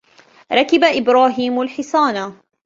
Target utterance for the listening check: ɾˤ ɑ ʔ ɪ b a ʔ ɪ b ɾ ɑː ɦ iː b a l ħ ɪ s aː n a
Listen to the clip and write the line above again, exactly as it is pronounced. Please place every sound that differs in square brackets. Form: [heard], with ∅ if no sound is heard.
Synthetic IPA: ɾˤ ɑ [k] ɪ b a ʔ ɪ b ɾ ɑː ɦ iː [m] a l ħ ɪ s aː n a